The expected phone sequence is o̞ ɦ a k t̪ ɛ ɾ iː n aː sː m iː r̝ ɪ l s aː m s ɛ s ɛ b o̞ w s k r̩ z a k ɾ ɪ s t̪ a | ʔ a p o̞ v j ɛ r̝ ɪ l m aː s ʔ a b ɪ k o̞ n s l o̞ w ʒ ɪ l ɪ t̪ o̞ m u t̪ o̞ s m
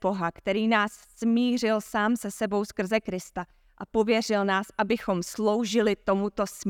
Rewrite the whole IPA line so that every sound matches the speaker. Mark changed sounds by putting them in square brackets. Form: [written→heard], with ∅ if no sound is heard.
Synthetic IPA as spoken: o̞ ɦ a k t̪ ɛ ɾ iː n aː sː m iː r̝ ɪ l s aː m s ɛ s ɛ b o̞ w s k r̩ z [a→ɛ] k ɾ ɪ s t̪ a | ʔ a p o̞ v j ɛ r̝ ɪ l [m→n] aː s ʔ a b ɪ [k→x] o̞ [n→m] s l o̞ w ʒ ɪ l ɪ t̪ o̞ m u t̪ o̞ s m